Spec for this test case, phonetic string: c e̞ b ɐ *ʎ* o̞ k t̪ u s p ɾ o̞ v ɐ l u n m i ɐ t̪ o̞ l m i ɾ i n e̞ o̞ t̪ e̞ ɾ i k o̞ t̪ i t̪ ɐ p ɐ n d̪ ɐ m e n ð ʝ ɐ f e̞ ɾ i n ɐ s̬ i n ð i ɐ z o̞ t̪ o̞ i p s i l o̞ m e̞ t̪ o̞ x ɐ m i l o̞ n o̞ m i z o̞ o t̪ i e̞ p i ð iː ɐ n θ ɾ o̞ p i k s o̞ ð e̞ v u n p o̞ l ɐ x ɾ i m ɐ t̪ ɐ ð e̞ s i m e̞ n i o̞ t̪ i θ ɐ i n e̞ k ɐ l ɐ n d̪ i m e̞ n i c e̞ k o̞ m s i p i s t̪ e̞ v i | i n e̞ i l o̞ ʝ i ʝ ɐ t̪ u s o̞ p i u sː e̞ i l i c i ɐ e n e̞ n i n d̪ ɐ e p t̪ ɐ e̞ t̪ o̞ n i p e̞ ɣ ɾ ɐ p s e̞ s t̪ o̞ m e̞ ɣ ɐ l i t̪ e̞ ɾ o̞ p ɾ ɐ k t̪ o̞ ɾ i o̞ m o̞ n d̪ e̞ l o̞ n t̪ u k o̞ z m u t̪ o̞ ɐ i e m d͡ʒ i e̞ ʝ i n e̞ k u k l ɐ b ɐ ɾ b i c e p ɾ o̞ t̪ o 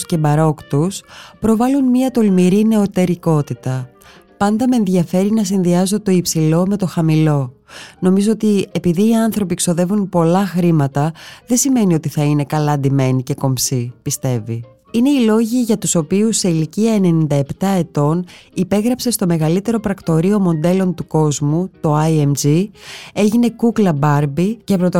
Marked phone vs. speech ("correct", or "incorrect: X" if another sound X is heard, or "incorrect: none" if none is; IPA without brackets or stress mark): incorrect: ɾ